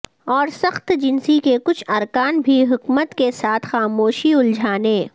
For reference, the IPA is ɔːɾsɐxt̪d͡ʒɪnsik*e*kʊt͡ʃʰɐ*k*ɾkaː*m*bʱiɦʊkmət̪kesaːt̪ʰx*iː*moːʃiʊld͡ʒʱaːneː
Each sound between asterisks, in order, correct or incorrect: correct, incorrect, incorrect, incorrect

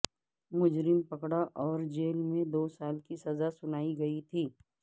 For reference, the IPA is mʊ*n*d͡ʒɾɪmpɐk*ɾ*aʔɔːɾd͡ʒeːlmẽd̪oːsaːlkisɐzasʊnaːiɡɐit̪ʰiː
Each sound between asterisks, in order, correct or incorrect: incorrect, incorrect

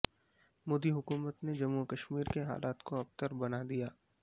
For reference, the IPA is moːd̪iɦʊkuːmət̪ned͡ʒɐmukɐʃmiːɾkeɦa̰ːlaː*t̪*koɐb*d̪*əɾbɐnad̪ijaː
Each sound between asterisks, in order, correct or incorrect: correct, incorrect

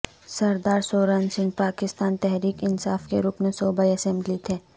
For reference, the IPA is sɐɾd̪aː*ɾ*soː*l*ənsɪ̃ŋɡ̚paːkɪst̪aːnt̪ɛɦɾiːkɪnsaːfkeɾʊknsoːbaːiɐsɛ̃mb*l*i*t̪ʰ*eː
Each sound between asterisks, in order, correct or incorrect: correct, incorrect, correct, correct

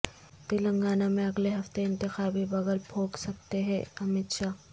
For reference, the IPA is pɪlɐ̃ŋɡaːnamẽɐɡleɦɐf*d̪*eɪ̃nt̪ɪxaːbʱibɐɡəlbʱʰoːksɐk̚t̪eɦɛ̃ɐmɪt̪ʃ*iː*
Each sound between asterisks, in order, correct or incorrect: incorrect, incorrect

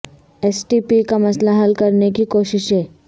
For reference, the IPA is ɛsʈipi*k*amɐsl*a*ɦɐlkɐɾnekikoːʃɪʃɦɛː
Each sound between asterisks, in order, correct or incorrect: correct, correct

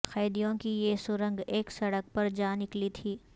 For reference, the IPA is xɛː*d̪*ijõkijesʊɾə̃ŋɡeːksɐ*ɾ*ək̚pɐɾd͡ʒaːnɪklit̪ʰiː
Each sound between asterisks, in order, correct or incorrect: correct, incorrect

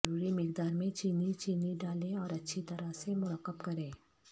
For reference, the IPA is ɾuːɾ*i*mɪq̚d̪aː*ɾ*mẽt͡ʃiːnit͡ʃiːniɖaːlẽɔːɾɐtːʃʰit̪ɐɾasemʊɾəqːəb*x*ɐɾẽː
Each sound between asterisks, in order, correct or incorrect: correct, correct, incorrect

